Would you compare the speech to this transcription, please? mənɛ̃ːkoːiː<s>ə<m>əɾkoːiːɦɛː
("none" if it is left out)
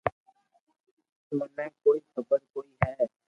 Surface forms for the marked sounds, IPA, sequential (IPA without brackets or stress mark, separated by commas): x, b